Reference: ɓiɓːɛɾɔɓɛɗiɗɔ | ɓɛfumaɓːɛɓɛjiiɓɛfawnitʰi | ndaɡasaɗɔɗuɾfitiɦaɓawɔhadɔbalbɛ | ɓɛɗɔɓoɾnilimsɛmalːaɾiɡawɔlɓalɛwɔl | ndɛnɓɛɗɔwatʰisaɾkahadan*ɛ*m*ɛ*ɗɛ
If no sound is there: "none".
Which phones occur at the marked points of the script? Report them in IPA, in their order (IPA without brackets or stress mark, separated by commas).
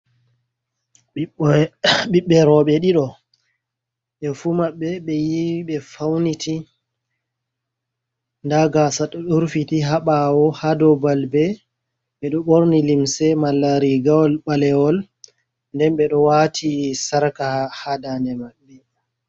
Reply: ɛ, a